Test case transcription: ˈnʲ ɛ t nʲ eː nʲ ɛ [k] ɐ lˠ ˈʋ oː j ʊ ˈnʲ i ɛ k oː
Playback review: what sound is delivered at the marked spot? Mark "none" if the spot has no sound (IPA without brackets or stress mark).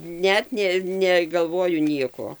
ɡ